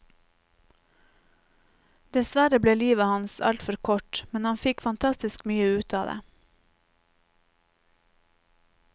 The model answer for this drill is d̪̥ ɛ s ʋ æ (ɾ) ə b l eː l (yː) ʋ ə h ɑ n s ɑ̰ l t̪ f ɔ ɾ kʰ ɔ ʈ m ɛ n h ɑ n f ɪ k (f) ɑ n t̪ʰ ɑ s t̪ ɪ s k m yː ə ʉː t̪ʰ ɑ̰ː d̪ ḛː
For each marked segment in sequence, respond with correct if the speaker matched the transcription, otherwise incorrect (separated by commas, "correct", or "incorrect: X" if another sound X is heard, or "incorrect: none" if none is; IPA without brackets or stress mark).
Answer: correct, incorrect: iː, correct